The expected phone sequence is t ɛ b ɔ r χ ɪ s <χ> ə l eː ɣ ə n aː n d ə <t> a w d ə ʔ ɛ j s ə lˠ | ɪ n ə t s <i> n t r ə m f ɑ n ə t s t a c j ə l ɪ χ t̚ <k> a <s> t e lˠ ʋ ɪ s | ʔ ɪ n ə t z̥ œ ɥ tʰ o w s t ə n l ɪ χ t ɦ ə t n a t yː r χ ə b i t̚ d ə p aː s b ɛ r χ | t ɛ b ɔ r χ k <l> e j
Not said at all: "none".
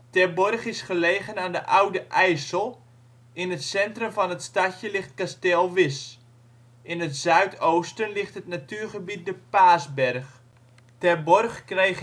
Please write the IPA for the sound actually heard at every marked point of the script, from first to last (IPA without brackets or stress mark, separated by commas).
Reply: χ, ʔ, ɛ, k, s, r